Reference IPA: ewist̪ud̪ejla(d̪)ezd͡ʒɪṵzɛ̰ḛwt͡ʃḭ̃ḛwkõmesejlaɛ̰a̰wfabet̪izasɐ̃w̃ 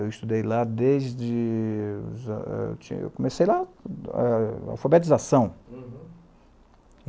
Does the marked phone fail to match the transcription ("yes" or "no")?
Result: no